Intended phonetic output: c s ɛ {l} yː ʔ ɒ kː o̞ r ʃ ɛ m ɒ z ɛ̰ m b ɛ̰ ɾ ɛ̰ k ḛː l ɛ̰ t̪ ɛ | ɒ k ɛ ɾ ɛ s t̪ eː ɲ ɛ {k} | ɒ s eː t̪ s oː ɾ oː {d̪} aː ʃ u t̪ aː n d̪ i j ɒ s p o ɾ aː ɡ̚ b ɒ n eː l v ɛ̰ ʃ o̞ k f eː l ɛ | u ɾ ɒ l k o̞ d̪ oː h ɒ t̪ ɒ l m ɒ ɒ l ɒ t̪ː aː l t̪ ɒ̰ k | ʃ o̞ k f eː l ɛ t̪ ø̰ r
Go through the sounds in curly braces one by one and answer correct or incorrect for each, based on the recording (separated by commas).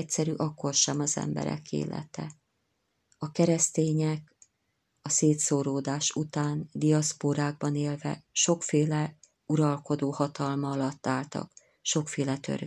incorrect, correct, correct